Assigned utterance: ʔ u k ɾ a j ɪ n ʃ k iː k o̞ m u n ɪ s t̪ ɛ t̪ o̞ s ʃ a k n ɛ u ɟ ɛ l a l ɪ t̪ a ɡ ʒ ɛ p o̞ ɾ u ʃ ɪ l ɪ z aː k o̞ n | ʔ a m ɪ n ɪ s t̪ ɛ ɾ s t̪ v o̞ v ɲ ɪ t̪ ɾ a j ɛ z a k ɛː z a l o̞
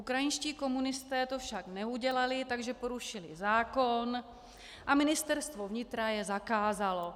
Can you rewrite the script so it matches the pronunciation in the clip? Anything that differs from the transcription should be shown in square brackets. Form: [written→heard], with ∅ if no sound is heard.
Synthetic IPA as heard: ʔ u k ɾ a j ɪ n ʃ [k→c] iː k o̞ m u n ɪ s t̪ [ɛ→ɛː] t̪ o̞ [s→f] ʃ a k n ɛ u ɟ ɛ l a l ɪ t̪ a ɡ ʒ ɛ p o̞ ɾ u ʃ ɪ l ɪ z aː k o̞ n | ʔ a m ɪ n ɪ s t̪ ɛ ɾ s t̪ v o̞ v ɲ ɪ t̪ ɾ a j ɛ z a k [ɛː→aː] z a l o̞